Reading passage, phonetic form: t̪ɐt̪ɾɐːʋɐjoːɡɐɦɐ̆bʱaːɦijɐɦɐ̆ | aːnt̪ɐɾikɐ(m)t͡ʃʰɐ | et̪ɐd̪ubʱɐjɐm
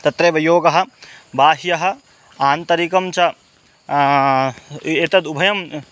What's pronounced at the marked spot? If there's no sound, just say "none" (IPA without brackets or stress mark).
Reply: m